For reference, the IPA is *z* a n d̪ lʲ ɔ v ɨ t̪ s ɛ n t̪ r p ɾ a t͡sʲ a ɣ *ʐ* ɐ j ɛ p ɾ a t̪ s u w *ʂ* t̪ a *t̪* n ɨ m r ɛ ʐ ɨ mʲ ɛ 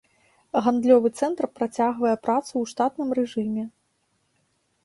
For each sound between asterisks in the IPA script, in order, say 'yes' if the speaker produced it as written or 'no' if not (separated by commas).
no, no, yes, yes